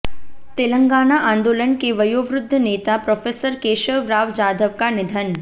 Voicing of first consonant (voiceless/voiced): voiceless